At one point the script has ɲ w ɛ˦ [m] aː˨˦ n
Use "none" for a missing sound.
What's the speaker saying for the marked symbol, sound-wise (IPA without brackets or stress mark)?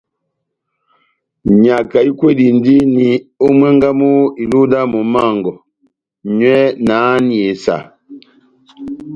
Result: n